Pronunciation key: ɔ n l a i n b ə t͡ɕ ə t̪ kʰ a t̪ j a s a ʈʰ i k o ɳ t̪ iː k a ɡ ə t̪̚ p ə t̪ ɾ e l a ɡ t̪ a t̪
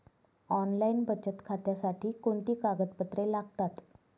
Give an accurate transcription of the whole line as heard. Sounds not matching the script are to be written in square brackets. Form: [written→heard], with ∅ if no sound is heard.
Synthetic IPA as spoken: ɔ n l a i n b ə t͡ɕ ə t̪ kʰ a t̪ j a s a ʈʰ [i→iː] k o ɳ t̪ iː k a ɡ ə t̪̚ p ə t̪ ɾ e l a ɡ t̪ a t̪

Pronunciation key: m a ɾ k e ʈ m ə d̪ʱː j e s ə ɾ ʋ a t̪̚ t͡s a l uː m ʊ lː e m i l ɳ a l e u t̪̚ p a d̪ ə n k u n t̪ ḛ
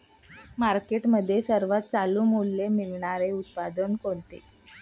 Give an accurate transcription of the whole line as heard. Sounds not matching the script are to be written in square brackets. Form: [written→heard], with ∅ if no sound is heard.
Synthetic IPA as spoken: m a ɾ k e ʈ m ə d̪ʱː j e s ə ɾ ʋ a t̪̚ t͡s a l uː m [ʊ→u] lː e m i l ɳ a [l→ɾ] e u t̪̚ p a d̪ ə n k [u→o] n t̪ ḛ

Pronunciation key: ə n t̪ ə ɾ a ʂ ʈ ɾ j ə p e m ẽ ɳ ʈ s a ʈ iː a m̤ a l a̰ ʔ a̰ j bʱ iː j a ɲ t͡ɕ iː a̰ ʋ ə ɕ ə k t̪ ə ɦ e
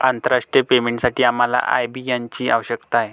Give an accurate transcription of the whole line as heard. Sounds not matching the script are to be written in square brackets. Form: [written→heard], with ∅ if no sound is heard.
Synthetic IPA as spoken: [ə→a] n t̪ ə ɾ a ʂ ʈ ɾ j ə p e m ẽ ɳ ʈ s a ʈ iː a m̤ a l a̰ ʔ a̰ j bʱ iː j a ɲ t͡ɕ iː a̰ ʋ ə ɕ ə k t̪ [ə→a] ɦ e

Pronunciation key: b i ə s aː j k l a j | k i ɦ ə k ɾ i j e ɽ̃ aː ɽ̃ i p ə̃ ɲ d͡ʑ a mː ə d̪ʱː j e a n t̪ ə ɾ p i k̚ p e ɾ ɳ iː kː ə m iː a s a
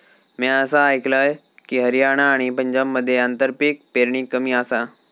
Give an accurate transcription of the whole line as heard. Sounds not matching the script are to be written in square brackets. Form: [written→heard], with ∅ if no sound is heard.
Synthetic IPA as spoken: [b→m] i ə s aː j k l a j | k i ɦ ə [k→∅] ɾ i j [e→a] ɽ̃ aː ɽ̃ i p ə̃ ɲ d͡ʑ a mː ə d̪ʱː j e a n t̪ ə ɾ p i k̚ p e ɾ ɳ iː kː ə m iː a s a

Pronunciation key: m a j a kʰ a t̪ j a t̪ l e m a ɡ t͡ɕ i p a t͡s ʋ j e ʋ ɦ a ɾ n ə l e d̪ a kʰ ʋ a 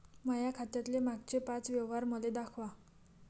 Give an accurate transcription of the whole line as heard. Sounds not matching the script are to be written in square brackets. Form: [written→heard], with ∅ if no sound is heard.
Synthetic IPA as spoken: m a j a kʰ a t̪ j a t̪ l e m a ɡ t͡ɕ [i→e] p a t͡s ʋ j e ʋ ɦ a ɾ [n→m] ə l e d̪ a kʰ ʋ a

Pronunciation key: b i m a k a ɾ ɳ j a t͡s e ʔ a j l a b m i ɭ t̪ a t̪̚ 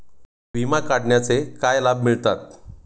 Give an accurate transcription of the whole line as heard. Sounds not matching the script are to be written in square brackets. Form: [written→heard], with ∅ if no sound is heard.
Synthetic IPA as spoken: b i m a k a [ɾ→ɽ] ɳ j a t͡s e [ʔ→k] a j l a b m i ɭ t̪ a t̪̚

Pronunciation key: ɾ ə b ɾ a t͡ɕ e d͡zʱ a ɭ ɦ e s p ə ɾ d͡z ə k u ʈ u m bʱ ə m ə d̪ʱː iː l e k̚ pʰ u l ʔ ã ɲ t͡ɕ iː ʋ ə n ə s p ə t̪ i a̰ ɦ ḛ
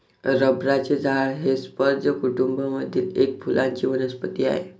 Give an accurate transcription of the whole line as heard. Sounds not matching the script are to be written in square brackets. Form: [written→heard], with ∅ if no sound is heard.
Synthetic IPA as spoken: ɾ ə b ɾ a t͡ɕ e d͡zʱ a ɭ ɦ e s p ə ɾ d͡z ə k u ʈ u m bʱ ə m ə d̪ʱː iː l e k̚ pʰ u l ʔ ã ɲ t͡ɕ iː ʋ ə n ə s p ə t̪ i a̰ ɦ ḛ

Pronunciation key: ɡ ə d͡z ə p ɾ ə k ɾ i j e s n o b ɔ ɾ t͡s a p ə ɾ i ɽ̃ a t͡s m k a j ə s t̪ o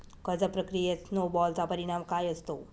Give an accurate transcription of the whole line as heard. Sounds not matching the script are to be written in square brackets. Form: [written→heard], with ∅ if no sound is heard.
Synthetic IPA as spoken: [ɡ→k] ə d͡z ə p ɾ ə k ɾ i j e s n o b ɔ [ɾ→l] t͡s a p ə ɾ i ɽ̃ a [t͡s→∅] m k a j ə s t̪ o

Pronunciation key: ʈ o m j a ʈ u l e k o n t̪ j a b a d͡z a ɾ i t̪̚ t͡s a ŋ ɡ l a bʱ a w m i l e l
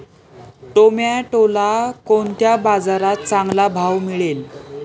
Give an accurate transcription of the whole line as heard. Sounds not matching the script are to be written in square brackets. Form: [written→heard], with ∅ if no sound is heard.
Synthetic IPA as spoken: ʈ o m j a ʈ [u→o] l [e→a] k o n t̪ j a b a d͡z a ɾ [i→a] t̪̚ t͡s a ŋ ɡ l a bʱ a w m i [l→ɭ] e l

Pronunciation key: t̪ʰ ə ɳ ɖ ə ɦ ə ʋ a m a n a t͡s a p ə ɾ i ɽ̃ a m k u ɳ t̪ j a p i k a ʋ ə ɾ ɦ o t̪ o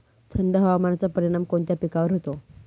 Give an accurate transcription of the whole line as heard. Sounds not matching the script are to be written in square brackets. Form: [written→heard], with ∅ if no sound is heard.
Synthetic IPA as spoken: t̪ʰ ə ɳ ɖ ə ɦ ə ʋ a m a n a t͡s a p ə ɾ i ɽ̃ a m k [u→o] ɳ t̪ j a p i k a ʋ ə ɾ ɦ o t̪ o

